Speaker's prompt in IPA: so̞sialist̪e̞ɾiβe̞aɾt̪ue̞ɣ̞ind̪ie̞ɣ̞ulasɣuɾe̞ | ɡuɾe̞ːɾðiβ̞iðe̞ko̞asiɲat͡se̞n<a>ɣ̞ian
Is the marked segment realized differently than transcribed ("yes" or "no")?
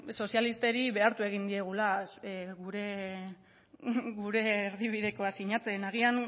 no